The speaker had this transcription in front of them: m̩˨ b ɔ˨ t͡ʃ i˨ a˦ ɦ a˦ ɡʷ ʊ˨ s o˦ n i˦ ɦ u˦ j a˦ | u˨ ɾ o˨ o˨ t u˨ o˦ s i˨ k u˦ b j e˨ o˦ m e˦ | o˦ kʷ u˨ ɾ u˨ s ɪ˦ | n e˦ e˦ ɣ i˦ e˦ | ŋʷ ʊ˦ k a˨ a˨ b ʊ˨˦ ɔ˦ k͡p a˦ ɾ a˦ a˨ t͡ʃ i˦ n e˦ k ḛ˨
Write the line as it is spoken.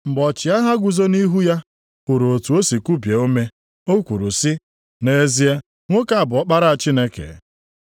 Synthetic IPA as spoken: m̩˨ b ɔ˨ t͡ʃ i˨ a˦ ɦ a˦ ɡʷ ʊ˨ z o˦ n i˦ ɦ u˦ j a˦ | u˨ ɾ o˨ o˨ t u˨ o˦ s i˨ k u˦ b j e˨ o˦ m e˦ | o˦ kʷ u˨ ɾ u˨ s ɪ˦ | n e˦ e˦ z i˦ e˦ | ŋʷ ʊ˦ k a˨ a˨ b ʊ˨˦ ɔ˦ k͡p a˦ ɾ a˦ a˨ t͡ʃ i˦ n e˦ k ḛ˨